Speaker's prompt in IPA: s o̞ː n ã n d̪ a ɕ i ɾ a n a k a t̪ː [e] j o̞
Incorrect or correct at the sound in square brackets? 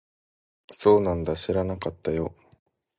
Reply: incorrect: a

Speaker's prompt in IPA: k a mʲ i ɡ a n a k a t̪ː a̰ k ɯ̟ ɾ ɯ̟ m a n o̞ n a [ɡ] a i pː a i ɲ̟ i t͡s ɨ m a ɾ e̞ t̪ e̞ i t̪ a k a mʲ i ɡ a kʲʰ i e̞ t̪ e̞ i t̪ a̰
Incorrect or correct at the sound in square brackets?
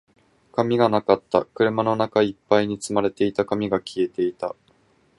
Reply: incorrect: k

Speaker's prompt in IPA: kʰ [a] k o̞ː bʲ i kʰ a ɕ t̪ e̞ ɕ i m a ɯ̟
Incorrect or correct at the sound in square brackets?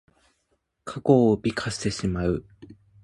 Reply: correct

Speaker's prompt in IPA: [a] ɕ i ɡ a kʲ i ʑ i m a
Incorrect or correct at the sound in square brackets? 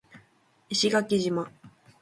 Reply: incorrect: i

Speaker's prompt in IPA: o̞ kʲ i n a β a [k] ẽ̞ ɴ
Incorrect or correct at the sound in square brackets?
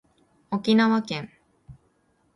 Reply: correct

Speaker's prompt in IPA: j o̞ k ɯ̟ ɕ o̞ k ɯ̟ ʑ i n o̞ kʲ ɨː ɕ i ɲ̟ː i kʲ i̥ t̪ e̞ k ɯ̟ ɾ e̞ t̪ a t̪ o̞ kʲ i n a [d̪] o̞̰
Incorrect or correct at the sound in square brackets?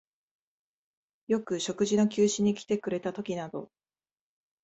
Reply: correct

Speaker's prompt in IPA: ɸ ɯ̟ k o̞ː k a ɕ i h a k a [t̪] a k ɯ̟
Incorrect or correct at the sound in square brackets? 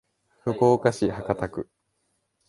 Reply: correct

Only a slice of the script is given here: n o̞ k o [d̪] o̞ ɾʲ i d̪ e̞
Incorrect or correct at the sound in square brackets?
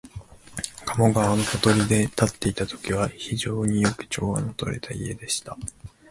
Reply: incorrect: t̪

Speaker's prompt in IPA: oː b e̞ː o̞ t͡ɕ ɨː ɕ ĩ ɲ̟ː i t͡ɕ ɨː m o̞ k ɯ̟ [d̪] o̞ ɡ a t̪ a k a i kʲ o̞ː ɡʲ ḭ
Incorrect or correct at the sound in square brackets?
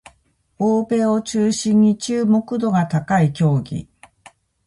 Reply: correct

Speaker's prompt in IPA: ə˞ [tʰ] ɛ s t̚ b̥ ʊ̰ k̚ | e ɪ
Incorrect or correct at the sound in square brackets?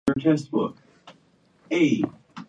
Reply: correct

